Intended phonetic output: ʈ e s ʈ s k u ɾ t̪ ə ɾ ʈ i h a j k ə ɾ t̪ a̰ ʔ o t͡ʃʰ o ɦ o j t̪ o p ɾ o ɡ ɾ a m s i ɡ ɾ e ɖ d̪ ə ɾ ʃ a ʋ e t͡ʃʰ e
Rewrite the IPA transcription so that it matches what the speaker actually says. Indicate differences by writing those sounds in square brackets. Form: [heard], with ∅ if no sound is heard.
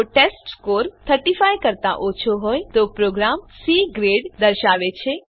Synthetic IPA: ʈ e s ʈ s k [o] ɾ [t̪ʰ] ə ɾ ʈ i [f] a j k ə ɾ t̪ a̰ ʔ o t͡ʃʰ o ɦ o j t̪ o p ɾ o ɡ ɾ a m s i ɡ ɾ e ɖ d̪ ə ɾ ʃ a ʋ e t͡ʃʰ e